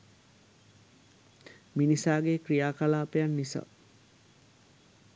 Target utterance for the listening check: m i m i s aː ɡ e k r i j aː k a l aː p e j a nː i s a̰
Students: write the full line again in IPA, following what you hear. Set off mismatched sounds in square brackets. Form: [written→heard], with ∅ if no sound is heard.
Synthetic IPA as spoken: m i [m→n] i s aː ɡ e k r i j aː k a l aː p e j a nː i s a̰